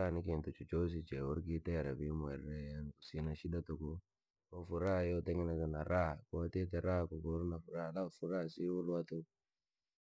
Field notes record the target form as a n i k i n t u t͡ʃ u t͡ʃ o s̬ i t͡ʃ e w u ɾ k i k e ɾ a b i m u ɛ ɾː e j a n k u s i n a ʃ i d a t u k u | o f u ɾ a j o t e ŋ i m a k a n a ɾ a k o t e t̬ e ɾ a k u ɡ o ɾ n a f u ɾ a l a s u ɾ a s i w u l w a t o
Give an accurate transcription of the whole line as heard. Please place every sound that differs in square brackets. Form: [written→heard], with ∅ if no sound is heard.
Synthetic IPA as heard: a n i k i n t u t͡ʃ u t͡ʃ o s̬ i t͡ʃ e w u ɾ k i [k→t] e ɾ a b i m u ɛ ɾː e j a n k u s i n a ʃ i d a t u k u | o f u ɾ a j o t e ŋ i [m→n] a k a n a ɾ a k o t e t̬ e ɾ a k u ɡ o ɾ n a f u ɾ a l a [s→f] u ɾ a s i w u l w a t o